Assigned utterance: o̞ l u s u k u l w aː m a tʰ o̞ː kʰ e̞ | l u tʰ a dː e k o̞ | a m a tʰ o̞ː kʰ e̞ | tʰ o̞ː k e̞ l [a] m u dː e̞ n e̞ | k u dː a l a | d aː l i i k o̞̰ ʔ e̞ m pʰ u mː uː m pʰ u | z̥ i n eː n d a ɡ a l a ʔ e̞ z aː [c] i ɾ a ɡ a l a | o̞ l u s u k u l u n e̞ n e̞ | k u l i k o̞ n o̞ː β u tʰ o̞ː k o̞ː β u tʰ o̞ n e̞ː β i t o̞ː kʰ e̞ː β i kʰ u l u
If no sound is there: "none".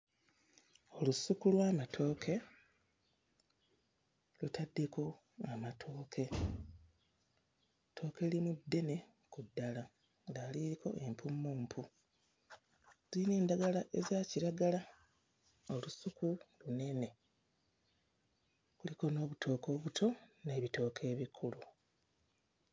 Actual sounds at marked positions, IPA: i, c

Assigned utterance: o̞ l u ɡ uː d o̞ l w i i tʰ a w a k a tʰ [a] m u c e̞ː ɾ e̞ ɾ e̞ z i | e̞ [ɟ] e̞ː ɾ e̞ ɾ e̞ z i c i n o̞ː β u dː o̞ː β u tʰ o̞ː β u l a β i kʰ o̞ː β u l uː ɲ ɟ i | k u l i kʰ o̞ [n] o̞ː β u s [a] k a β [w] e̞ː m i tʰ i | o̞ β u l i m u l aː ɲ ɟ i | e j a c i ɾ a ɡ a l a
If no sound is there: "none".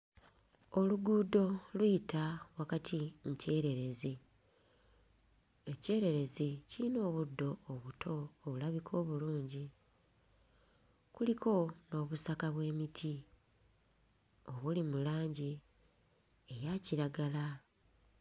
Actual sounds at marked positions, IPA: i, c, n, a, w

